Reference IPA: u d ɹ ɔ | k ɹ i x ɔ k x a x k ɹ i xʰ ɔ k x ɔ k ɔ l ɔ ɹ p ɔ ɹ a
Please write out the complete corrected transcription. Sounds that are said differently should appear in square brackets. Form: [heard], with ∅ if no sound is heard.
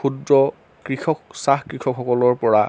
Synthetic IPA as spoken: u d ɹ ɔ | k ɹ i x ɔ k [s] a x k ɹ i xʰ ɔ k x ɔ k ɔ l ɔ ɹ p ɔ ɹ a